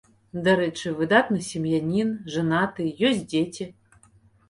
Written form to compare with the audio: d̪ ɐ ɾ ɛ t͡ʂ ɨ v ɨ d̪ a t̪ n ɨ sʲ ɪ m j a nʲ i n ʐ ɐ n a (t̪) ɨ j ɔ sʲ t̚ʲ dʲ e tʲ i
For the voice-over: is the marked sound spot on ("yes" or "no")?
yes